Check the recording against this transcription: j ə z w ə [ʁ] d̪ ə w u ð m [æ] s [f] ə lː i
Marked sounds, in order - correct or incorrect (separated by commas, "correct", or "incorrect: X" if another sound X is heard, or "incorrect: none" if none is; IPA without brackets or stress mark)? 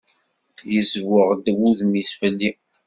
correct, incorrect: i, correct